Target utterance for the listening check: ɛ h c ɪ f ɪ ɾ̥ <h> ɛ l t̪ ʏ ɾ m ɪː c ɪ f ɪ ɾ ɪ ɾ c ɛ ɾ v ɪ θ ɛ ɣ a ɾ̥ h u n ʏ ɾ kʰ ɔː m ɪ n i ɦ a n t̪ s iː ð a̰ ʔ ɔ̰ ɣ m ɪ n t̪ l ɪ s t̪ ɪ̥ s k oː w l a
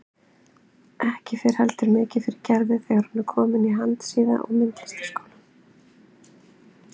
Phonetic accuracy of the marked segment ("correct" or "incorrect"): correct